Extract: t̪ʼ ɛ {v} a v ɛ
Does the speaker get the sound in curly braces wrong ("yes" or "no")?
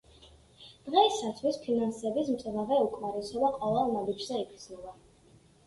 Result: no